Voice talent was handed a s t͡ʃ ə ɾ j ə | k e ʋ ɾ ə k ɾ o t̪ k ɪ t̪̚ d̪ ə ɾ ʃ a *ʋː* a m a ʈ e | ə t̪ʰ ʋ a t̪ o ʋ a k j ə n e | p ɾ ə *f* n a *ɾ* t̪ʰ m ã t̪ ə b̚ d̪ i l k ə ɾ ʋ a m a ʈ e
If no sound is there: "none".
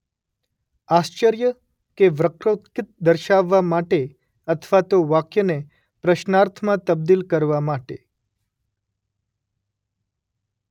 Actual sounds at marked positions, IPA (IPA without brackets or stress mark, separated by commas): ʋː, ʃ, ɾ